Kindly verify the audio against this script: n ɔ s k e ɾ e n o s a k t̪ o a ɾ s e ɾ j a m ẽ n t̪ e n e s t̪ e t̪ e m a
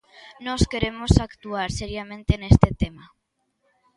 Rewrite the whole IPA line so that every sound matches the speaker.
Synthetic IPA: n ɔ s k e ɾ e m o s a k t̪ u a ɾ s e ɾ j a m ẽ n t̪ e n e s t̪ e t̪ e m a